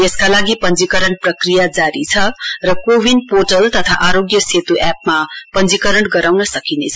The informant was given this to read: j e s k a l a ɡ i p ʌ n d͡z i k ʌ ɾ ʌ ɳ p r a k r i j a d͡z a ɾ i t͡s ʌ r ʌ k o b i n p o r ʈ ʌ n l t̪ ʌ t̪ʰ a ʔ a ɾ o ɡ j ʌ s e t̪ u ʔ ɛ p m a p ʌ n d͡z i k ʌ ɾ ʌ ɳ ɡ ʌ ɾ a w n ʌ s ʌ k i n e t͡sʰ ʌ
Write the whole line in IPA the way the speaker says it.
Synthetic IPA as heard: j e s k a l a ɡ i p ʌ n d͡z i k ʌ ɾ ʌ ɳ p r ʌ k r i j a d͡z a ɾ i t͡sʰ ʌ r ʌ k o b i n p o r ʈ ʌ l t̪ ʌ t̪ʰ a ʔ a ɾ o ɡ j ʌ s e t̪ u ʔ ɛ p m a p ʌ n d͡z i k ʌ ɾ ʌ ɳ ɡ ʌ ɾ a w n ʌ s ʌ k i n e t͡sʰ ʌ